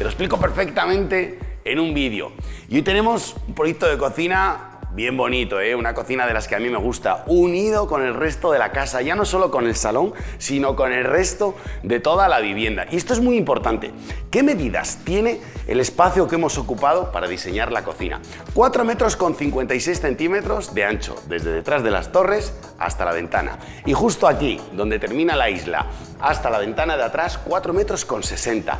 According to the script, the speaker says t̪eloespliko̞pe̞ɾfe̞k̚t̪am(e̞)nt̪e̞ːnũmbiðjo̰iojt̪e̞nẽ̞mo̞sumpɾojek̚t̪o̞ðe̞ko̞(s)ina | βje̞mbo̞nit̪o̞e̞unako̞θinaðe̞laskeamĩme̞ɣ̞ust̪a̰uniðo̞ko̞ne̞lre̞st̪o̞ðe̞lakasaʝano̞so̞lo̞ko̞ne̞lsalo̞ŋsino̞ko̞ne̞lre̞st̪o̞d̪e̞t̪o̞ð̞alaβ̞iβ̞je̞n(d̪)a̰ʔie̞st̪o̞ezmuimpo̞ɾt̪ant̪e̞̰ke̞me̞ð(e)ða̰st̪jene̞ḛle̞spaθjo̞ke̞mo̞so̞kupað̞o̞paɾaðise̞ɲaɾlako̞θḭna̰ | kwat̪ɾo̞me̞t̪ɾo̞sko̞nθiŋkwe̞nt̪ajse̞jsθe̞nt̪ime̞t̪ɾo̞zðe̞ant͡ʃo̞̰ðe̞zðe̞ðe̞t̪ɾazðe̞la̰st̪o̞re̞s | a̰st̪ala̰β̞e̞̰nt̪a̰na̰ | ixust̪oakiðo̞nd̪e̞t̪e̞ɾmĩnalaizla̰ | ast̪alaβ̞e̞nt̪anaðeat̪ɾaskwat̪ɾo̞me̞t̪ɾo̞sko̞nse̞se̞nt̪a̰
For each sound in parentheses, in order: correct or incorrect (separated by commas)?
incorrect, incorrect, correct, incorrect